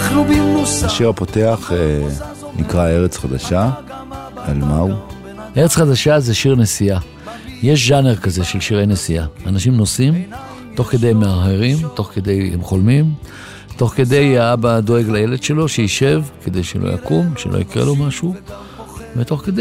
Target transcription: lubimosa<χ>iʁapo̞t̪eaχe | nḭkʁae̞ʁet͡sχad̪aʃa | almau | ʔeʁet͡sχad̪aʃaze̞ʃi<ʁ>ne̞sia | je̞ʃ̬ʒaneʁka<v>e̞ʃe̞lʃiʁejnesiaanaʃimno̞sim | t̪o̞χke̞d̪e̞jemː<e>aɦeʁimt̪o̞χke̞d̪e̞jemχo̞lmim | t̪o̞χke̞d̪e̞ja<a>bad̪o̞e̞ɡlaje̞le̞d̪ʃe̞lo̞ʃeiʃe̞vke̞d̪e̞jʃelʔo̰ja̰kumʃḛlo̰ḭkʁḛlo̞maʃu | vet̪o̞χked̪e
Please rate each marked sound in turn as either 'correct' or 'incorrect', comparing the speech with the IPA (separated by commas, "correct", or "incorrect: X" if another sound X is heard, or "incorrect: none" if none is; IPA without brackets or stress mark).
incorrect: ʃ, correct, incorrect: z, correct, correct